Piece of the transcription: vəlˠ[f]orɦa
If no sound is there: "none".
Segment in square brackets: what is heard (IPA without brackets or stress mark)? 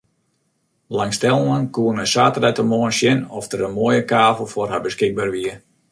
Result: f